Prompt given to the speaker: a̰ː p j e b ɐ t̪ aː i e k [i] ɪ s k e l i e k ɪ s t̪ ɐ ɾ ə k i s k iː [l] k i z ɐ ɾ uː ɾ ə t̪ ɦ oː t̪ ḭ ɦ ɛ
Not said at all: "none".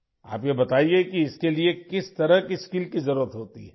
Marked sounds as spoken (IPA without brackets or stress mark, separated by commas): i, l